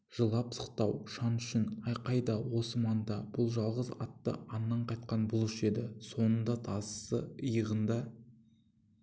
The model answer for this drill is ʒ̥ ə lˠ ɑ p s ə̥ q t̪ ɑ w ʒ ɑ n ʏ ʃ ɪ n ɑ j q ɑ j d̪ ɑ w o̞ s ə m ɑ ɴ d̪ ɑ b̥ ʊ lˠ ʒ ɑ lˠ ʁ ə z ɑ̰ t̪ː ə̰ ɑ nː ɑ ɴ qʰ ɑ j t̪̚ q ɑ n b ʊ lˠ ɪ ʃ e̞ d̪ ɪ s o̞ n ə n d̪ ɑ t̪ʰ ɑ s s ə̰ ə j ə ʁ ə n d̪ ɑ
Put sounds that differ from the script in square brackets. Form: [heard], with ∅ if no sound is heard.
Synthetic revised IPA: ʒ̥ ə lˠ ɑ p s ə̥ q t̪ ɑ w [ʃ] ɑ n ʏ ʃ ɪ n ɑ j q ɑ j d̪ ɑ w o̞ s ə m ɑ [n] d̪ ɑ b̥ ʊ lˠ ʒ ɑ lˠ ʁ ə z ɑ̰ t̪ː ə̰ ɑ nː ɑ ɴ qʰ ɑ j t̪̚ q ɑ n b ʊ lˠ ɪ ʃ e̞ d̪ ɪ s o̞ n ə n d̪ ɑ t̪ʰ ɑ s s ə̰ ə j ə ʁ ə n d̪ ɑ